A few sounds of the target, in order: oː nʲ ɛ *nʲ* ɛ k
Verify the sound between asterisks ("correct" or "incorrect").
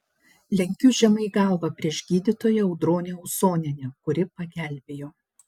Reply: correct